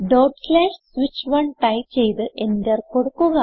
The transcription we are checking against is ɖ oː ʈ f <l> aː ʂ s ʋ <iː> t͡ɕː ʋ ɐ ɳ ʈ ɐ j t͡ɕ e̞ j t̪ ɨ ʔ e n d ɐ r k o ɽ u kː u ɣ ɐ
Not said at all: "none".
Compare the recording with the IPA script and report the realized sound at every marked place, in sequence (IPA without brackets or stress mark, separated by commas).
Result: l, i